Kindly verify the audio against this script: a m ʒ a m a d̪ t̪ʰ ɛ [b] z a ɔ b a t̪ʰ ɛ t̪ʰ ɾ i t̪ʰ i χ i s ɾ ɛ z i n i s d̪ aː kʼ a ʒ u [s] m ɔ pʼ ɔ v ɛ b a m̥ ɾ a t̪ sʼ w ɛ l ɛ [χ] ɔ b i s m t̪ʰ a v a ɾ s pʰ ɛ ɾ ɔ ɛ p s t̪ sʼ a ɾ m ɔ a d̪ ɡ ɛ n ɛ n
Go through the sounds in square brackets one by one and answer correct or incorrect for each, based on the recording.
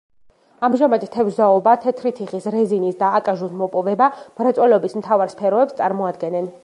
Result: incorrect: v, correct, incorrect: none

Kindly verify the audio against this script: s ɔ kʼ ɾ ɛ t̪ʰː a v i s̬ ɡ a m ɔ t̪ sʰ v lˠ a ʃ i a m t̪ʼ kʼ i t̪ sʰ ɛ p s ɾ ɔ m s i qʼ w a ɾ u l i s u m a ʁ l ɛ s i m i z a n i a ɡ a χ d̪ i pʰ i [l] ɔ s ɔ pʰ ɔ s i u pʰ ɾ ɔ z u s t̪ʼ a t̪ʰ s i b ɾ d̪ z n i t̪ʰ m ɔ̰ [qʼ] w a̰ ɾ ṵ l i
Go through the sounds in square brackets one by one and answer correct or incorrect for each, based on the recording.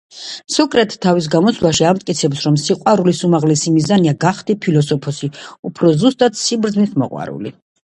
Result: correct, correct

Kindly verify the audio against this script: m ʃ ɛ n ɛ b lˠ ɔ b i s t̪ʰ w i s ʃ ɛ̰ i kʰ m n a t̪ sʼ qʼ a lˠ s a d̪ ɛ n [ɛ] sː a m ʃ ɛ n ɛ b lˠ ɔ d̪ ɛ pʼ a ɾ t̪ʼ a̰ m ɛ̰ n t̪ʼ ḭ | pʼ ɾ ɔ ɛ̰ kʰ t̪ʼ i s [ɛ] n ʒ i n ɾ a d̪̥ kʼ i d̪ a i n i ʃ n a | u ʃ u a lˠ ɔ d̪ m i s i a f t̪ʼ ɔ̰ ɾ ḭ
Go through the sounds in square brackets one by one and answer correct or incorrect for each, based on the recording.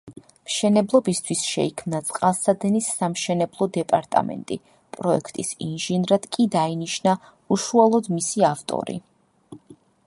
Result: incorrect: i, incorrect: i

